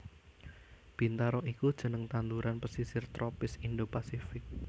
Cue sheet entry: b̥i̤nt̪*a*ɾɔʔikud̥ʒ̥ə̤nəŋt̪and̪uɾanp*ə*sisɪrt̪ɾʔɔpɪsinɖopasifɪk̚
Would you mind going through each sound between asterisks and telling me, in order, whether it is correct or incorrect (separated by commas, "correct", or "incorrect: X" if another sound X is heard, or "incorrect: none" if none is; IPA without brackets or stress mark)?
correct, correct